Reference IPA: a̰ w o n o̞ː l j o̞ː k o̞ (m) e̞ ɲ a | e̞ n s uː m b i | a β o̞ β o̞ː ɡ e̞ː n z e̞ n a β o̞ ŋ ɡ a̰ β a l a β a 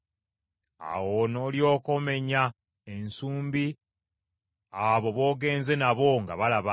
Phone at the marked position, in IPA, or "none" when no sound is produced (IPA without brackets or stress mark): m